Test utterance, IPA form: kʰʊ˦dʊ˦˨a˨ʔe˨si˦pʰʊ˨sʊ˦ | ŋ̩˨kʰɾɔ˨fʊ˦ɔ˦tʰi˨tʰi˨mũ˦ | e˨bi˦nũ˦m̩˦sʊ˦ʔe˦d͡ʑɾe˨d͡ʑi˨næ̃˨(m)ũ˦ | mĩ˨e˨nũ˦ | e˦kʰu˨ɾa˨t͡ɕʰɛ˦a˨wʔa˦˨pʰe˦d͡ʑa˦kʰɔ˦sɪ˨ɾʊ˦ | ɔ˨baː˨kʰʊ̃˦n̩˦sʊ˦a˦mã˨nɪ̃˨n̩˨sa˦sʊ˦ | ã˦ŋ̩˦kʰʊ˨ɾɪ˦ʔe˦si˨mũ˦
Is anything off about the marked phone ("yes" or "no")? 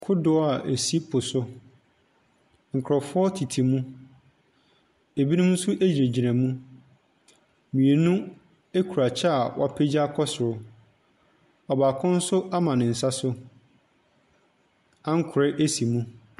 no